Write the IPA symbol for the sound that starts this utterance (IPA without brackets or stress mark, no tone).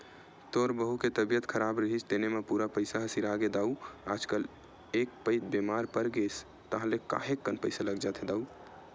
t̪